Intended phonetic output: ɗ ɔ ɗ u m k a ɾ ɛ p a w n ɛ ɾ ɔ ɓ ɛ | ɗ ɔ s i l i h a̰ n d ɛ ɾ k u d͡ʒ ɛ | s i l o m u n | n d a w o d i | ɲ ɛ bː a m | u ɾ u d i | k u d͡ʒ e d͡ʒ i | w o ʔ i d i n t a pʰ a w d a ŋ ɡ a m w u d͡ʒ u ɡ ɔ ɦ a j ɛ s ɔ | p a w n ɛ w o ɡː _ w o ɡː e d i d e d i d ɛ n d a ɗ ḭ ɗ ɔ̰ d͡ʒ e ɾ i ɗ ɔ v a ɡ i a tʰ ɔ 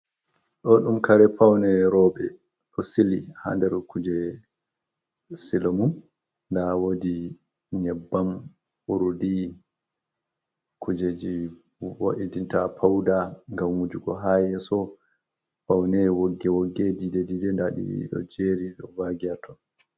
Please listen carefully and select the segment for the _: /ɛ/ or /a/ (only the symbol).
ɛ